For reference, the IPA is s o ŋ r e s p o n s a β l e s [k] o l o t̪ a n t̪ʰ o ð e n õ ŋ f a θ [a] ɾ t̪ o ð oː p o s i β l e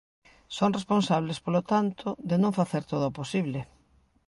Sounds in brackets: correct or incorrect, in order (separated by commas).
incorrect, incorrect